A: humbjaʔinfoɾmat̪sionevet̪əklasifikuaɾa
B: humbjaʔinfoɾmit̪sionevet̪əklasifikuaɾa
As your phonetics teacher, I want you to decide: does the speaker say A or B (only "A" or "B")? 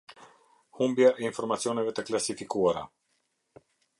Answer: A